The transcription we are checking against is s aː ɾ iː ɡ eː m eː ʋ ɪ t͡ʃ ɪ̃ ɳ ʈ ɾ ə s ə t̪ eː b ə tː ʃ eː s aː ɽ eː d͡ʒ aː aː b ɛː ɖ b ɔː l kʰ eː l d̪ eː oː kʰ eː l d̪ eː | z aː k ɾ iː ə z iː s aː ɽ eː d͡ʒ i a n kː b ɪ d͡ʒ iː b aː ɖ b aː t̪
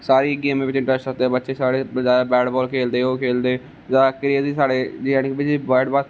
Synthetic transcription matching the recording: s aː ɾ iː ɡ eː m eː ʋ ɪ t͡ʃ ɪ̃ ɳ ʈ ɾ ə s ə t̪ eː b ə tː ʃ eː s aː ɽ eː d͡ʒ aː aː b ɛː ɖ b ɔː l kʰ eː l d̪ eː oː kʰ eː l d̪ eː | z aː k ɾ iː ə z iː s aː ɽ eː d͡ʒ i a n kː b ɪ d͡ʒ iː b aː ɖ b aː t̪